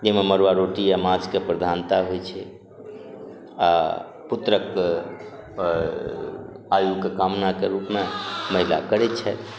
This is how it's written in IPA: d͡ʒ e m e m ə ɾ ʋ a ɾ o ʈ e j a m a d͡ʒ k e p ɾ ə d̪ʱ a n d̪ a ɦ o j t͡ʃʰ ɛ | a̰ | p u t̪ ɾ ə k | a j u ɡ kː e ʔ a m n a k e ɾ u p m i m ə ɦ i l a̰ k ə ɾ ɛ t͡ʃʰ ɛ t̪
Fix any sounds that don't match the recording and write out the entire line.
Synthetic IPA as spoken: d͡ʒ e m e m ə ɾ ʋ a ɾ o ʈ i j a m a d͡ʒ k e p ɾ ə d̪ʱ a n t̪ a ɦ o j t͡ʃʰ ɛ | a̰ | p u t̪ ɾ ə k | a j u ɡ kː e k a m n a k e ɾ u p m e m ə ɦ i l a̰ k ə ɾ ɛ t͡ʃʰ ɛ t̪